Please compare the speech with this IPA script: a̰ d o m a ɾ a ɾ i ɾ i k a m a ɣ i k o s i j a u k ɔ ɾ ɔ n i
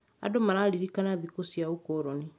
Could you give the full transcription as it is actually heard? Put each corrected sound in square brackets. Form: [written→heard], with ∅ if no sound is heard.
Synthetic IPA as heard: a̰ d o m a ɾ a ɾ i ɾ i k a [m→n] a [ɣ→ð] i k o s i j a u k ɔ ɾ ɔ n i